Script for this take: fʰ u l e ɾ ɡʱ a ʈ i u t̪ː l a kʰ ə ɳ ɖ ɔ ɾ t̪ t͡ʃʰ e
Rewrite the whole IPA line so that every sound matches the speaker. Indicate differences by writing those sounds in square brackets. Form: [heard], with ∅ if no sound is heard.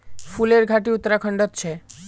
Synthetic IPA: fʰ u l e ɾ ɡʱ a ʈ i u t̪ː [ɾ] a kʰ ə ɳ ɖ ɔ [∅] t̪ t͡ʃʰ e